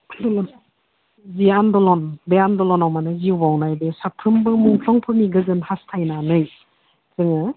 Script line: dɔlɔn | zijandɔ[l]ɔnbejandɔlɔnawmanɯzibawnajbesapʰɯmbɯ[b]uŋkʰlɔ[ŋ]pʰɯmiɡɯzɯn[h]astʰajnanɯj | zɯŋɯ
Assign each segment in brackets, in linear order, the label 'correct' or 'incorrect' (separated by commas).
correct, incorrect, correct, correct